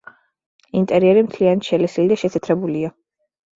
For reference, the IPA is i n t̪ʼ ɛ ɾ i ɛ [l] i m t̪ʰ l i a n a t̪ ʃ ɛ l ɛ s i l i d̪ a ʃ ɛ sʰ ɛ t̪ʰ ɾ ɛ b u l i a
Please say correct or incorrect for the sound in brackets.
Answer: incorrect